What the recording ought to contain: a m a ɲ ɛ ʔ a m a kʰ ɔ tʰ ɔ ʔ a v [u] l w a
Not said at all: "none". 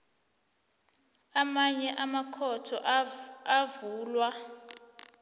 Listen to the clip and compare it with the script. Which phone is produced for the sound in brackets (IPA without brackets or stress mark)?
uː